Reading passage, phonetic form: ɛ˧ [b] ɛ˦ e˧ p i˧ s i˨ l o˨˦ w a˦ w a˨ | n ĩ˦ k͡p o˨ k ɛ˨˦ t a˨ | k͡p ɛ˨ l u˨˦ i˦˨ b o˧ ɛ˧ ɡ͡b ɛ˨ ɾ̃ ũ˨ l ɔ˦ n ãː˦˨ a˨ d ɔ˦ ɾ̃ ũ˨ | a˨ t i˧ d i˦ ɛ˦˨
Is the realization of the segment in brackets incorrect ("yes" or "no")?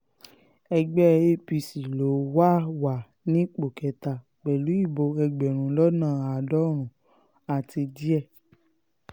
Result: yes